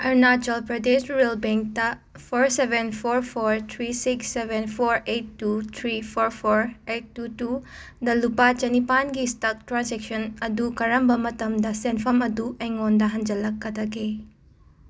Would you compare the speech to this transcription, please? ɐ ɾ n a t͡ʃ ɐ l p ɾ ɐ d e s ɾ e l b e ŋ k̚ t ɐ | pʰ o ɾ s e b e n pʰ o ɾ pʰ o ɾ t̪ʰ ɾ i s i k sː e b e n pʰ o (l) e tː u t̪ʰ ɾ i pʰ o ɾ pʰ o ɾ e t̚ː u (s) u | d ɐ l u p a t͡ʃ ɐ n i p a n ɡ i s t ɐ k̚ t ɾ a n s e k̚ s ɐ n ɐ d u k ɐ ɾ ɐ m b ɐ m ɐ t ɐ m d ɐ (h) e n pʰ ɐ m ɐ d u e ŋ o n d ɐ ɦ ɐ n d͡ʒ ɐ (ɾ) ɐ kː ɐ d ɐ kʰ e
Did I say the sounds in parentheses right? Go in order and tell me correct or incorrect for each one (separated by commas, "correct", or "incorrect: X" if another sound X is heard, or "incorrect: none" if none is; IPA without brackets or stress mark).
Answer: incorrect: ɾ, incorrect: t, incorrect: s, incorrect: l